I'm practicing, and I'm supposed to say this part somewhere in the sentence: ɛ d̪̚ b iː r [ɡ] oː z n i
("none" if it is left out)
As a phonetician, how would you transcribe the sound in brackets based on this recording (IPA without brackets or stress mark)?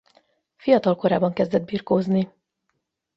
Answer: k